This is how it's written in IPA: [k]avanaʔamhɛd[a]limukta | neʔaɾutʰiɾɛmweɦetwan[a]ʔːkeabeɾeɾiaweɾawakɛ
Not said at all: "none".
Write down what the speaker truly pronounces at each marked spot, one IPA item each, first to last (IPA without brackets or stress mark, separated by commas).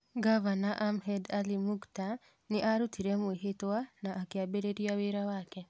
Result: ɡ, a, a